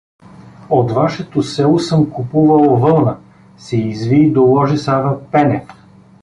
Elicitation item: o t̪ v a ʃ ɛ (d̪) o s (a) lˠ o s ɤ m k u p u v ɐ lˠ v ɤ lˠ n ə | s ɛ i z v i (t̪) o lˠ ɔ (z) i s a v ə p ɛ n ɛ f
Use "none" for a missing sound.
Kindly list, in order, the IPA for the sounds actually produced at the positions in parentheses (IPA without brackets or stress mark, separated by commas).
t̪, ɛ, d̪, ʒ